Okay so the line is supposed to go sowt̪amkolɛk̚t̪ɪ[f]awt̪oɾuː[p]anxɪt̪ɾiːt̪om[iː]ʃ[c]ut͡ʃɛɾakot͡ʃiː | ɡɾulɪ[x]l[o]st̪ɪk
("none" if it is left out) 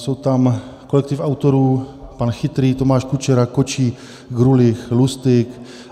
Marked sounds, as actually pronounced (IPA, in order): f, p, aː, k, x, u

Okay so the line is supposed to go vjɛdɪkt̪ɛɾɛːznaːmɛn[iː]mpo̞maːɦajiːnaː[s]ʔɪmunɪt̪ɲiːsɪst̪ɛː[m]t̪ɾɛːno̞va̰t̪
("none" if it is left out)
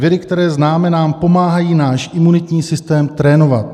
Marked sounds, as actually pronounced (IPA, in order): aː, ʃ, m

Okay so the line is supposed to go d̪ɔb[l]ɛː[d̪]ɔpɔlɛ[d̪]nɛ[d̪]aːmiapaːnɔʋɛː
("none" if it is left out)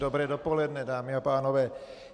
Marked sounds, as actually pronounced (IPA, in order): ɾ, d̪, d̪, d̪

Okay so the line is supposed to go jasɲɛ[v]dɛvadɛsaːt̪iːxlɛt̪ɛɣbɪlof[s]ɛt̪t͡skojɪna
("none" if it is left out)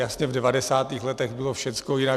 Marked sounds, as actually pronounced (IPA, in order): v, ʃ

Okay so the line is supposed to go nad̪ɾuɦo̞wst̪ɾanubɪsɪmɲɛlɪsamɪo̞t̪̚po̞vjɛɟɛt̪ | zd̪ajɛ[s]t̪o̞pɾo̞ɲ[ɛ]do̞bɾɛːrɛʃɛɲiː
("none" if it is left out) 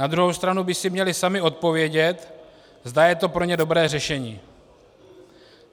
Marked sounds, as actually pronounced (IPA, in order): none, ɛ

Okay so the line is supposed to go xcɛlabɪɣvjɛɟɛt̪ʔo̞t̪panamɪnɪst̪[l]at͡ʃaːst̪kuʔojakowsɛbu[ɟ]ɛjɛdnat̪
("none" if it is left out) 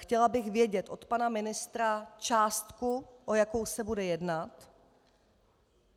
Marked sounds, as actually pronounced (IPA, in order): ɾ, d

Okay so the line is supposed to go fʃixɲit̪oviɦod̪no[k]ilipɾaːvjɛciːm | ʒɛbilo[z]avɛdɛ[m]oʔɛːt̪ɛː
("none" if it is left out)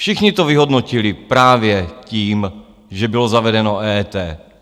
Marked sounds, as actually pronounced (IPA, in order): c, z, n

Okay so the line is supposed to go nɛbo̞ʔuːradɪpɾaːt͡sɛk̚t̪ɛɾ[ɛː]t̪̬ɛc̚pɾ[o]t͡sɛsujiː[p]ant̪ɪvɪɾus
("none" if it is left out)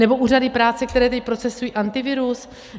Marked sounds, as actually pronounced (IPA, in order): ɛː, o, ʔ

